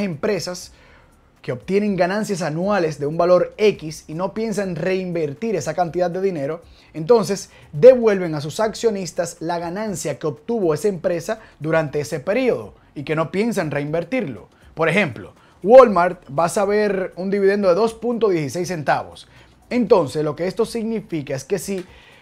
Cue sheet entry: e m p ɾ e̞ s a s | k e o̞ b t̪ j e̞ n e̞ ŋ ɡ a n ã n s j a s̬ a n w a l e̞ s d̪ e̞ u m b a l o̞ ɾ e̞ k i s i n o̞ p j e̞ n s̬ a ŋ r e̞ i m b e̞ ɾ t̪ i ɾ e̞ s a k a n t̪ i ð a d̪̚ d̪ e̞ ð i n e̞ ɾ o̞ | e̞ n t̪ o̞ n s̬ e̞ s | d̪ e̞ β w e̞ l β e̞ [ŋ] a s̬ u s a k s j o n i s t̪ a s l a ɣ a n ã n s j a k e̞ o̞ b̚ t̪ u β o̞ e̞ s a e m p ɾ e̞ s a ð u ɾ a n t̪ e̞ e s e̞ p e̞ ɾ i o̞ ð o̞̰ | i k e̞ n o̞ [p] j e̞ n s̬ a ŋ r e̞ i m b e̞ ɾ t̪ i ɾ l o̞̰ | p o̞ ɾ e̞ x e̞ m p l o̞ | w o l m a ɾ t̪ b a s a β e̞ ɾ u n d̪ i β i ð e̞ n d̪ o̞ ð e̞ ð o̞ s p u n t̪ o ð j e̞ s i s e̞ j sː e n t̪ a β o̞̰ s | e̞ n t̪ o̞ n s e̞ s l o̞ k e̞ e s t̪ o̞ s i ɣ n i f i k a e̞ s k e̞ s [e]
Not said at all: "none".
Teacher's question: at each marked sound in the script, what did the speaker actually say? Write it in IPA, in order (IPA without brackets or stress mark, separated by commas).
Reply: ŋ, p, i